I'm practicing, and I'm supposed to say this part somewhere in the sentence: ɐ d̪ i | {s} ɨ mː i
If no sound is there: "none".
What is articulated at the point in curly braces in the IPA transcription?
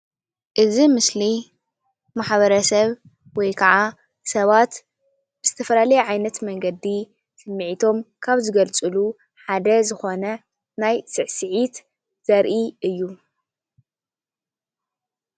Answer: s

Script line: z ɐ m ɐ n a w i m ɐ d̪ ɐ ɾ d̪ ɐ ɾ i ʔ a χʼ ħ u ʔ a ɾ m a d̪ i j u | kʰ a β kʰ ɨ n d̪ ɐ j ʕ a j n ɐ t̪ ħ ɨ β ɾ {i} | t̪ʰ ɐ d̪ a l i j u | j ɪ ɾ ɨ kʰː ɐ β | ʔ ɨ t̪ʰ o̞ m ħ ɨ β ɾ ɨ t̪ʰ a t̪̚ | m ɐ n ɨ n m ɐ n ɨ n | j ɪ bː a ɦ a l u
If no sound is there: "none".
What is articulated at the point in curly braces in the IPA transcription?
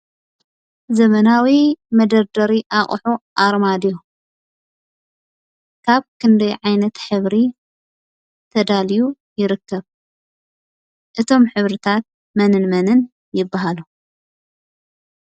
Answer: i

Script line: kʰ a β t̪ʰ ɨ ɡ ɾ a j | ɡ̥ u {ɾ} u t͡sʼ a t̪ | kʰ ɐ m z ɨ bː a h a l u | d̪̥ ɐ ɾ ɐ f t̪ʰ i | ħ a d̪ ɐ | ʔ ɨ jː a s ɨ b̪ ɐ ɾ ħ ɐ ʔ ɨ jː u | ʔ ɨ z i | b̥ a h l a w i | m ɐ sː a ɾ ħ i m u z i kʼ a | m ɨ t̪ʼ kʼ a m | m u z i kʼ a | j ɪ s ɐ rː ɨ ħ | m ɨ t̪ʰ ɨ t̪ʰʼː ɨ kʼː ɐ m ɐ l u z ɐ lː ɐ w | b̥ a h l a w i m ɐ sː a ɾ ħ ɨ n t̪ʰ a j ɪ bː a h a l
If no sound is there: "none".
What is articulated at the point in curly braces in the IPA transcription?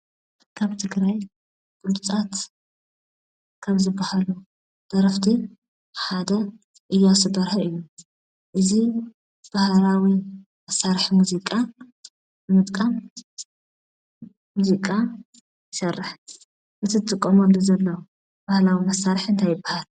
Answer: l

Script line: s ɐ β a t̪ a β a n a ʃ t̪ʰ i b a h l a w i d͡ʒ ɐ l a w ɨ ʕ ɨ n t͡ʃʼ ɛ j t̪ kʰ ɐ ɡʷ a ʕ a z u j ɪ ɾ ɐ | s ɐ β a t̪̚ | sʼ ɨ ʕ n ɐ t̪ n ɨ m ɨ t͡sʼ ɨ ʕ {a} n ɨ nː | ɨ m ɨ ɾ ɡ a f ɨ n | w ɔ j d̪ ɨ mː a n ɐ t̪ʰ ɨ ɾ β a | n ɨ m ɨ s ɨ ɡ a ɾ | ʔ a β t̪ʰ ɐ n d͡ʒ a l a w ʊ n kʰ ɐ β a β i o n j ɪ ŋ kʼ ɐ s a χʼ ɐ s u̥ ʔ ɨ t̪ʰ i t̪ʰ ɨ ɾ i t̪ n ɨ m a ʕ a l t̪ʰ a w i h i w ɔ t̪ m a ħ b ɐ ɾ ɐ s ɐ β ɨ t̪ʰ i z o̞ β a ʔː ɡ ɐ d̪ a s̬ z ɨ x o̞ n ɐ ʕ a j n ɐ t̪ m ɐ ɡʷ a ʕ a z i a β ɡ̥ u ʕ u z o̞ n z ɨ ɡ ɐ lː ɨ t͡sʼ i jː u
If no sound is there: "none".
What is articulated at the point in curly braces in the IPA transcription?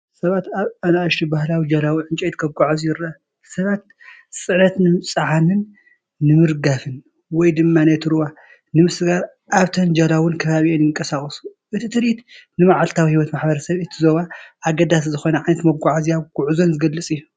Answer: a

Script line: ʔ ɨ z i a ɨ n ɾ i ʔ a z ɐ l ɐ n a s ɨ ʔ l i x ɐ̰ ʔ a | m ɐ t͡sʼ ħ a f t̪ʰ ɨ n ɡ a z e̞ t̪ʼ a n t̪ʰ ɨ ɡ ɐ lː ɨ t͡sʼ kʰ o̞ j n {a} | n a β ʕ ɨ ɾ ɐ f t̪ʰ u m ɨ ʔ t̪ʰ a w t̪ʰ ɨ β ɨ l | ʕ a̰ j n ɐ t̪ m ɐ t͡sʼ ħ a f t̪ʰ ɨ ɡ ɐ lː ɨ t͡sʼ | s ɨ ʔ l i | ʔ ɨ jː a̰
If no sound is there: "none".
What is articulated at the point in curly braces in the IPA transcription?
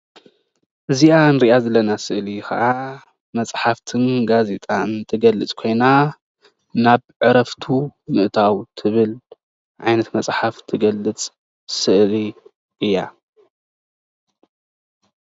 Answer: a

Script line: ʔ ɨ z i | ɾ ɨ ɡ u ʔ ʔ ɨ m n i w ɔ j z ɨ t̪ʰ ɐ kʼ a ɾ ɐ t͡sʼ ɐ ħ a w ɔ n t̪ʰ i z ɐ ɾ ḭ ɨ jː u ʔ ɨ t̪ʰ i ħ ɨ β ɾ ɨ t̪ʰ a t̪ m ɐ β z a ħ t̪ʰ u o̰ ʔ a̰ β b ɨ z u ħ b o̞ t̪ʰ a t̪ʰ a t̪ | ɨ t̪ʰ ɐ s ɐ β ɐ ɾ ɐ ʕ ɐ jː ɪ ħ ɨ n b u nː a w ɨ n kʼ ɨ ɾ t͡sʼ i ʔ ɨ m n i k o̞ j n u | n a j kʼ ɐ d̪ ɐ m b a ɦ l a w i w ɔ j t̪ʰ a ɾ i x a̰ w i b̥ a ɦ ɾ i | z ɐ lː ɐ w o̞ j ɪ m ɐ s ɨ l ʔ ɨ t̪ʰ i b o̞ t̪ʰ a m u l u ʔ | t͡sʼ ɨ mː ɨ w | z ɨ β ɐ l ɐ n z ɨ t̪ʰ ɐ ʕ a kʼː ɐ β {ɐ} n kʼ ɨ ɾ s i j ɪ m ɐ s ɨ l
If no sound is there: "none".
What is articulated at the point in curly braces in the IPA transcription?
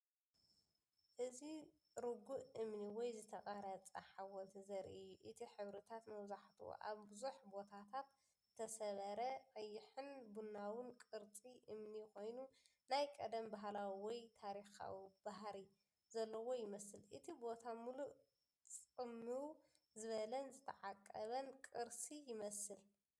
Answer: ɐ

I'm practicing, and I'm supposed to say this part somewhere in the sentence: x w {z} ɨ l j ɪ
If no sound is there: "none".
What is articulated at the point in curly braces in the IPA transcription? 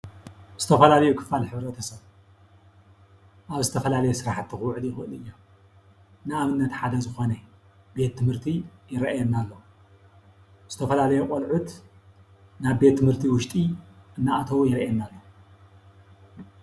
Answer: ʕ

